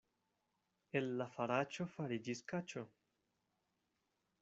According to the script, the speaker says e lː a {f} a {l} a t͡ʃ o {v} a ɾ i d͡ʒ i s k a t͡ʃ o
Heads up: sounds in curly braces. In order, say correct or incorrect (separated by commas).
correct, incorrect, incorrect